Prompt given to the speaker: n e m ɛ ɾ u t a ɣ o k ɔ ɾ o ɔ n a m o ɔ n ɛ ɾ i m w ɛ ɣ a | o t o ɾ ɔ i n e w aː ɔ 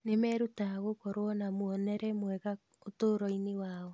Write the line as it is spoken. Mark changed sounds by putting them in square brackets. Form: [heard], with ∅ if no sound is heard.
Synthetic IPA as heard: n e m ɛ ɾ u t a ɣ o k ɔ ɾ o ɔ n a m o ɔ n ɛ ɾ [ɛ] m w ɛ ɣ a | o t o ɾ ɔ i n e w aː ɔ